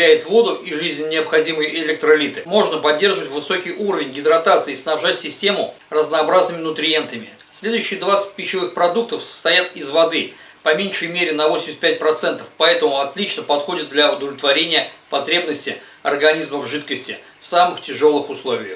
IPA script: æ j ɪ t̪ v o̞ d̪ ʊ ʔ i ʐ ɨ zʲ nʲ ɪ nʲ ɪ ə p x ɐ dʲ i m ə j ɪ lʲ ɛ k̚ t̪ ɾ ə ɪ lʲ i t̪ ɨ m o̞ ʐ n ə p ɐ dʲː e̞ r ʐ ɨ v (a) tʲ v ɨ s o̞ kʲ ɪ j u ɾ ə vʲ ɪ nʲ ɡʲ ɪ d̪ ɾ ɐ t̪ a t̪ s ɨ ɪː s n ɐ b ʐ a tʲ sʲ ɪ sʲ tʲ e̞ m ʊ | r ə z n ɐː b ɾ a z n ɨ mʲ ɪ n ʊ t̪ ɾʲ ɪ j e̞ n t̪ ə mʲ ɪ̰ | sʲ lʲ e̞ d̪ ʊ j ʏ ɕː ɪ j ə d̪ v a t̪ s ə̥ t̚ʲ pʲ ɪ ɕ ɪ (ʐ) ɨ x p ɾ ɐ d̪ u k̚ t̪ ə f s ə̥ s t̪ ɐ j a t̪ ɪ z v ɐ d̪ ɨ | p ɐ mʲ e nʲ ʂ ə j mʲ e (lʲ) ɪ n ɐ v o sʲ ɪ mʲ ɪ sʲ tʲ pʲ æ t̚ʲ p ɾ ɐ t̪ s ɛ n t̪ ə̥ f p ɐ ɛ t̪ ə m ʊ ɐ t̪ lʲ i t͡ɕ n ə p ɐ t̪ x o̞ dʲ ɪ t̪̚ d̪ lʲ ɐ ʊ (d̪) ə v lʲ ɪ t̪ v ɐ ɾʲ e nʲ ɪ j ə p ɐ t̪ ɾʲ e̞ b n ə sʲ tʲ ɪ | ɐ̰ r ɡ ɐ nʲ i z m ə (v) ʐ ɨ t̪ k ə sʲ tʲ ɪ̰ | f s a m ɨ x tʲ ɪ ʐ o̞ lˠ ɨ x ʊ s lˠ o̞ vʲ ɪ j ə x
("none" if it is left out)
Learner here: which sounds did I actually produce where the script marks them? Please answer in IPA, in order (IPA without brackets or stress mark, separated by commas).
ə, v, ɾʲ, d̪, v